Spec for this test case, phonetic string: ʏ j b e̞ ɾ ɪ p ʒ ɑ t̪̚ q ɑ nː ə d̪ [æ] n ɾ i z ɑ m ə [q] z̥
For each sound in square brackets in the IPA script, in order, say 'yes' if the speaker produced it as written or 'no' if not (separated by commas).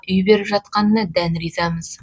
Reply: yes, no